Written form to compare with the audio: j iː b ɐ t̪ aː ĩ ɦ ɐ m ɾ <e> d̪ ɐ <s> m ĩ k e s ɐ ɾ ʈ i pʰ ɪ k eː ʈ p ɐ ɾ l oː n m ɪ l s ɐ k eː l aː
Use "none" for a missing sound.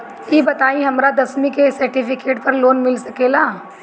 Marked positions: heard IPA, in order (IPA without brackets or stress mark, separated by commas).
a, s